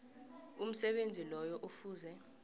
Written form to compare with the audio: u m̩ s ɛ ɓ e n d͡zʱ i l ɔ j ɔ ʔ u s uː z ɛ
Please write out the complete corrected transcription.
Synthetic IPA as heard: u m̩ s ɛ ɓ e n d͡zʱ i l ɔ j ɔ ʔ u f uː z ɛ